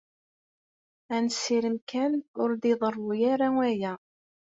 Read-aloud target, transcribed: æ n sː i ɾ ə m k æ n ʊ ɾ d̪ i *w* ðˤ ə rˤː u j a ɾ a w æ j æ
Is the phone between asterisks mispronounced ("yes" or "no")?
yes